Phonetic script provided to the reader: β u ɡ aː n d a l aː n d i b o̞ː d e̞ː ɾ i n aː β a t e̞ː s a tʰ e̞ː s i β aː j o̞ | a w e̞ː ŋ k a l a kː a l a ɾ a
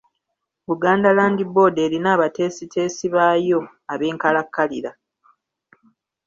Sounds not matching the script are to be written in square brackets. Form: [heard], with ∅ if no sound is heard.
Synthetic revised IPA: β u ɡ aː n d a l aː n d i b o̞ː d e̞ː ɾ i n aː β a t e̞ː s [i] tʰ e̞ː s i β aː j o̞ | a [β] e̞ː ŋ k a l a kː a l [i] ɾ a